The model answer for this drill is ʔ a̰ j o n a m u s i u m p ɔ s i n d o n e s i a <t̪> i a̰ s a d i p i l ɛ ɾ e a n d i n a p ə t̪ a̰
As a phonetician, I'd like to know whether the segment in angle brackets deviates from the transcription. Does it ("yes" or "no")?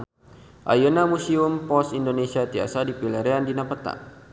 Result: no